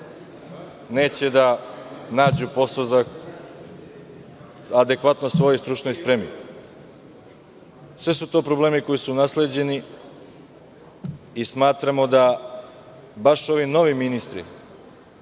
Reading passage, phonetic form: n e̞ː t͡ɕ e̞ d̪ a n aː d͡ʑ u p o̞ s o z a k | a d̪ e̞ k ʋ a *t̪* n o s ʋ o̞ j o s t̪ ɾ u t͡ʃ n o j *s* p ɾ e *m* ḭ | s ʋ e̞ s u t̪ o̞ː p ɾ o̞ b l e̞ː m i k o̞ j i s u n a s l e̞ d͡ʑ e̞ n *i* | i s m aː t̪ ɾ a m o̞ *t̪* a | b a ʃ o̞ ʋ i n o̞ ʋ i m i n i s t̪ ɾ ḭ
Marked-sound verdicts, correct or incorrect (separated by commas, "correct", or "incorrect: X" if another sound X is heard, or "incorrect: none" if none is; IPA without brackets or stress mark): correct, correct, correct, correct, incorrect: d̪